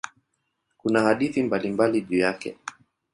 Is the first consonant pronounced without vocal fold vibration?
yes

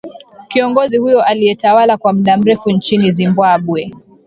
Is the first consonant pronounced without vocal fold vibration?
yes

